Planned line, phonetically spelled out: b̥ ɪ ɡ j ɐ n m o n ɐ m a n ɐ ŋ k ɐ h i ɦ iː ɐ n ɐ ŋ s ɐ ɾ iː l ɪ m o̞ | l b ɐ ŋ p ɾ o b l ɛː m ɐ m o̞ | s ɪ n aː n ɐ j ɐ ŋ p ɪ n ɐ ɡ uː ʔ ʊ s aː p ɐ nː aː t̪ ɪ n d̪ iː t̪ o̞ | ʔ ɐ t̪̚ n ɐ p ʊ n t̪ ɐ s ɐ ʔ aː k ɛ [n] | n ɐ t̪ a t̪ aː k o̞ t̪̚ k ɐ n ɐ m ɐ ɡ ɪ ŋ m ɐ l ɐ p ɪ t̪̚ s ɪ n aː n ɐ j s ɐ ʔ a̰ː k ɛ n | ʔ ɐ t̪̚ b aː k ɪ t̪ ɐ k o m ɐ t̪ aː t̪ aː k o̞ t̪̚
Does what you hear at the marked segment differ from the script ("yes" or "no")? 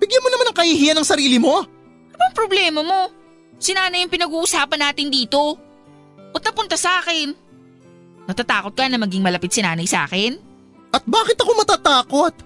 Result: no